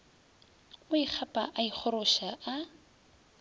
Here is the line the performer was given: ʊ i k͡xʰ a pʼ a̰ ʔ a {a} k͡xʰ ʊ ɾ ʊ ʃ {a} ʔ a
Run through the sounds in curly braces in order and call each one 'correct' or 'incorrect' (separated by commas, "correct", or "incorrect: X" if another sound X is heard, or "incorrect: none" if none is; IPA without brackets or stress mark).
incorrect: i, correct